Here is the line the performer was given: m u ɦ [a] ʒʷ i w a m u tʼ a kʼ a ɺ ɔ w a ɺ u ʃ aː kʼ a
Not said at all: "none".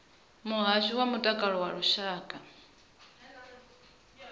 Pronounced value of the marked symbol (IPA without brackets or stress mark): a